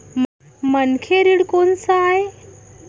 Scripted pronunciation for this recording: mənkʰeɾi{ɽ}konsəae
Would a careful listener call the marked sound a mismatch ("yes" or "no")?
no